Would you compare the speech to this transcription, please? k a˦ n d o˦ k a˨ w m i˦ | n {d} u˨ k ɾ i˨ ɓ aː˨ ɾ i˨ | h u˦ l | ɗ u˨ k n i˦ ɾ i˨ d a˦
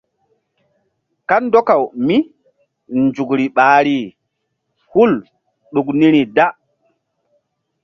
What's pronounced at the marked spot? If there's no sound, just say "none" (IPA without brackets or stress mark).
d͡ʒ